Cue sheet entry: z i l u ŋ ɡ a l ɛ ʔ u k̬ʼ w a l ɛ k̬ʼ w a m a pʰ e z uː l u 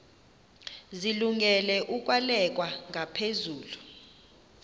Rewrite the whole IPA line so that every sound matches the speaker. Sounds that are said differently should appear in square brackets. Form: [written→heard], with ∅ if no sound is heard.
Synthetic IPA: z i l u ŋ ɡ [a→ɛ] l ɛ ʔ u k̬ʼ w a l ɛ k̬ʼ w a [m→ŋ] a pʰ e z uː l u

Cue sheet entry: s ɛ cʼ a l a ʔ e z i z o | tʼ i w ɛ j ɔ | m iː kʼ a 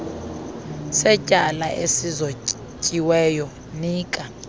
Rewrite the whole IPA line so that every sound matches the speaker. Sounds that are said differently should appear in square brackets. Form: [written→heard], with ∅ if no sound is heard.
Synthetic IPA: s ɛ cʼ a l a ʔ e [z→s] i z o | [tʼ→cʼ] i w ɛ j ɔ | [m→n] iː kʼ a

